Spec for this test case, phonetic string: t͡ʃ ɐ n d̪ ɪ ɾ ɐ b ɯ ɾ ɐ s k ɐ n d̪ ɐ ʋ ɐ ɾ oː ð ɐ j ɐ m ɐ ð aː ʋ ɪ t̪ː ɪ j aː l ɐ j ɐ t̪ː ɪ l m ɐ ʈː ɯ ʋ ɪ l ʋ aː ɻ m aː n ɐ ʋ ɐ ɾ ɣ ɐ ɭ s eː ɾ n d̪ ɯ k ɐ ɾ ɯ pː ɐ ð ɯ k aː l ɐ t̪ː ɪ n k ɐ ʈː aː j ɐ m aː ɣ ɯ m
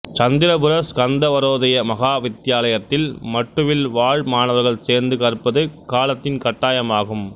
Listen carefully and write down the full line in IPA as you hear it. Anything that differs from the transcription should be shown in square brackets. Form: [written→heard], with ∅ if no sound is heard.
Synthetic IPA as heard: t͡ʃ ɐ n d̪ ɪ ɾ ɐ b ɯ ɾ ɐ s k ɐ n d̪ ɐ ʋ ɐ ɾ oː ð ɐ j ɐ m ɐ [ð→ɣ] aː ʋ ɪ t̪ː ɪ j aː l ɐ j ɐ t̪ː ɪ l m ɐ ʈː ɯ ʋ ɪ l ʋ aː ɻ m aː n ɐ ʋ ɐ ɾ ɣ ɐ ɭ s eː ɾ n d̪ ɯ k ɐ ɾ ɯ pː ɐ ð ɯ k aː l ɐ t̪ː ɪ n k ɐ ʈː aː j ɐ m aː ɣ ɯ m

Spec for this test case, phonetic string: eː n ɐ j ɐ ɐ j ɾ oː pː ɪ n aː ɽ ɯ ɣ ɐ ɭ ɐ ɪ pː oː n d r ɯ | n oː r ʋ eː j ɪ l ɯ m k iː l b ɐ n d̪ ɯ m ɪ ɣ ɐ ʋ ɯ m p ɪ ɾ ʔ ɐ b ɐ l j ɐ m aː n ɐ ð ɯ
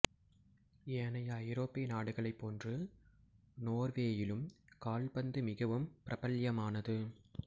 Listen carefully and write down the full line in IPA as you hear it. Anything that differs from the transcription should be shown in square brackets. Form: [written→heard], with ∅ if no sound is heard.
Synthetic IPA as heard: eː n ɐ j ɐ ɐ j ɾ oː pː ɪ n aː ɽ ɯ ɣ ɐ ɭ ɐ ɪ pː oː n d r ɯ | n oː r ʋ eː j ɪ l ɯ m k [iː→aː] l b ɐ n d̪ ɯ m ɪ ɣ ɐ ʋ ɯ m p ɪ ɾ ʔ ɐ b ɐ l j ɐ m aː n ɐ ð ɯ

